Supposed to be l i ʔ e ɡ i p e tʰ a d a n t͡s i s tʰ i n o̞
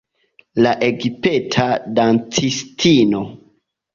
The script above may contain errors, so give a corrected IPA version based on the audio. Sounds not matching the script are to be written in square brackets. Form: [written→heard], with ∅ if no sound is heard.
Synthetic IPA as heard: l [i→a] ʔ e ɡ i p e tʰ a d a n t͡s i s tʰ i n o̞